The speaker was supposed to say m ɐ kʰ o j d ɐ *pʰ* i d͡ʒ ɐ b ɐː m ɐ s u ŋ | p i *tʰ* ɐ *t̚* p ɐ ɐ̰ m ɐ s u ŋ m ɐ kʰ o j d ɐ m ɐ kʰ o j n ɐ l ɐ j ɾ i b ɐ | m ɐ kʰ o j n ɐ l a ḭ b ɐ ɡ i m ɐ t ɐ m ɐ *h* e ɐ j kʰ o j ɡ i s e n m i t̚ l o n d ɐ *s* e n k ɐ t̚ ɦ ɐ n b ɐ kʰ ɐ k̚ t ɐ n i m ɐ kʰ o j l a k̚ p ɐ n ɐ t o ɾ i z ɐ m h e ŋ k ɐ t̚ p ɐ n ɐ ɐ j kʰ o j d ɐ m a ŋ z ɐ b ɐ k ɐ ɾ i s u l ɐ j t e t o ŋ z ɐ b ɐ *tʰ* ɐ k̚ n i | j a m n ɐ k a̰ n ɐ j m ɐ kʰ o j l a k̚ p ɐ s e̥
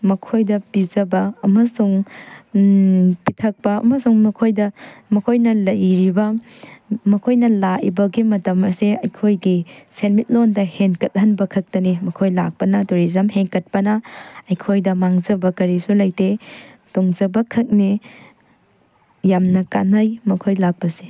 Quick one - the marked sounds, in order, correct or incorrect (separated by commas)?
incorrect, correct, incorrect, incorrect, incorrect, incorrect